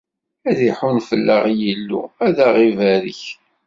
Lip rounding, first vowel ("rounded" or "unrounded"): unrounded